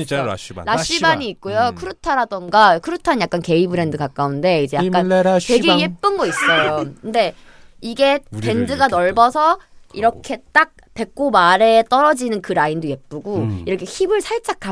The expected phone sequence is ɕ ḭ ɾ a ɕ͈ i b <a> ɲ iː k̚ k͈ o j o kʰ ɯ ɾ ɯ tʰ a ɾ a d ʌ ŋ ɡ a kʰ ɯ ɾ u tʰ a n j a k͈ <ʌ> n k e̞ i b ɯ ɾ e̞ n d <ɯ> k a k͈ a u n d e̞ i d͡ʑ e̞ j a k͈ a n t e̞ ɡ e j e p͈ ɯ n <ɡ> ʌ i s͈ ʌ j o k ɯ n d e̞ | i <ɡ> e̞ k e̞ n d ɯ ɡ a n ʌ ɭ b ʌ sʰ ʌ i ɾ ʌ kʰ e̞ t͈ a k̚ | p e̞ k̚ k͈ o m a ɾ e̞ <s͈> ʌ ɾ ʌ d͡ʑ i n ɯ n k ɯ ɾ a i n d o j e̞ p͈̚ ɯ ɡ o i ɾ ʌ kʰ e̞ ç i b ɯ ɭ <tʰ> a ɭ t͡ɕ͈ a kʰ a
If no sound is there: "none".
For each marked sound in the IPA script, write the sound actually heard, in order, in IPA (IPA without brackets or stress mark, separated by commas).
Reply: a, a, ɯ, ɡ, ɡ, t͈, sʰ